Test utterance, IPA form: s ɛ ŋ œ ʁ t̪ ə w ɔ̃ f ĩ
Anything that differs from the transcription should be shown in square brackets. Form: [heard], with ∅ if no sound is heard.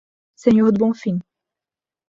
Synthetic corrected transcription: s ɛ [ɲ] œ ʁ [d̪] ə [b] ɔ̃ f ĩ